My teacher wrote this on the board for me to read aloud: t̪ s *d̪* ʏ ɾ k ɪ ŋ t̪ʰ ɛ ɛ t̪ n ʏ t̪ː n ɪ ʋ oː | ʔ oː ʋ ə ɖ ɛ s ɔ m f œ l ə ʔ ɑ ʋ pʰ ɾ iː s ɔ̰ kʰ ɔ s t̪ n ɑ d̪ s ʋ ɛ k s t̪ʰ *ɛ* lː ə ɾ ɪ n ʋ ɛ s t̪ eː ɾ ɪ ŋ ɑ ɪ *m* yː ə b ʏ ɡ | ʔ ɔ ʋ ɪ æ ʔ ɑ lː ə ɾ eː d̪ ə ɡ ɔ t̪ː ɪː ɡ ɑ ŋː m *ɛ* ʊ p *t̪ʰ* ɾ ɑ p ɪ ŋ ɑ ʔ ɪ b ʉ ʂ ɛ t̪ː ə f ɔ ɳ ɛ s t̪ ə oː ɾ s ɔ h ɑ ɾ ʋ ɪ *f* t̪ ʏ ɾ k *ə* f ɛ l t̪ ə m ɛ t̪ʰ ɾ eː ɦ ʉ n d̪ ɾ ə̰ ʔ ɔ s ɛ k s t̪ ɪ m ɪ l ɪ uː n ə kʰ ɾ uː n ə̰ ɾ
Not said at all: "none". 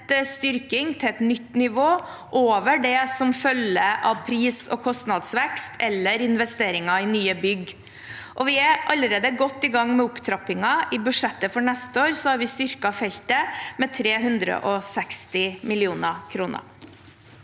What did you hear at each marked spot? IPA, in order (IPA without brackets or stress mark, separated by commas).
t̪, ɛ, n, ɛ, t̪ʰ, s, ɑ